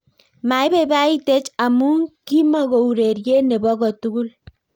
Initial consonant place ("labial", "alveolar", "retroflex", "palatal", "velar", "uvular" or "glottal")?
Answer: labial